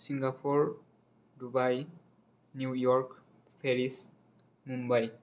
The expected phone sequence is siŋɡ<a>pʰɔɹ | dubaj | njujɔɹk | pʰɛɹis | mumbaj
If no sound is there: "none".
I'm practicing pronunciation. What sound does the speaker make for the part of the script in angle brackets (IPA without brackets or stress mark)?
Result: a